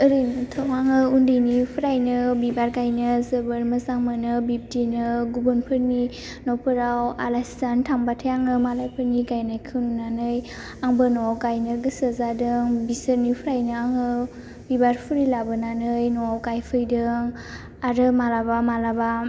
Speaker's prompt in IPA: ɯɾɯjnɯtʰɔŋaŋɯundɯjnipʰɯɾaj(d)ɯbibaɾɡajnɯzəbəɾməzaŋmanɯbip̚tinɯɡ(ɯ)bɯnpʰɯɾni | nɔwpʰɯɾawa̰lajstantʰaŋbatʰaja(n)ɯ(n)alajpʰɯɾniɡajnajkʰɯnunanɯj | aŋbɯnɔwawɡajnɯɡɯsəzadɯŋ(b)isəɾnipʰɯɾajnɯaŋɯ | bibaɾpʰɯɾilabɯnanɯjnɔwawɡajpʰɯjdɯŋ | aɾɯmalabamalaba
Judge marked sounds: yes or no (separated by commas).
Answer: no, no, no, no, yes